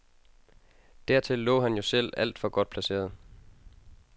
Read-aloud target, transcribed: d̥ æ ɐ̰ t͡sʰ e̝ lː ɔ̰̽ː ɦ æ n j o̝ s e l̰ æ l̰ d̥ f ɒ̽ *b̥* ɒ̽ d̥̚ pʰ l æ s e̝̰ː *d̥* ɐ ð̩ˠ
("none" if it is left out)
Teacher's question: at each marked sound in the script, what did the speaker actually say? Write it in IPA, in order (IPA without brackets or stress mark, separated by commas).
ɡ̥, none